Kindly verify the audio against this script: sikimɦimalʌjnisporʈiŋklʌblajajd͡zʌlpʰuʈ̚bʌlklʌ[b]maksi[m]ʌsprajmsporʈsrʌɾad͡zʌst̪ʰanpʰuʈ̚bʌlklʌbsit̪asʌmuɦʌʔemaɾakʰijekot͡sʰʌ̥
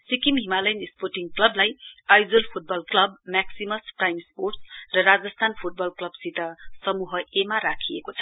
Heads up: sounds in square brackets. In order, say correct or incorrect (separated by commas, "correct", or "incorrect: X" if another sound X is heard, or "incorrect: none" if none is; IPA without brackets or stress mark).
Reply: correct, correct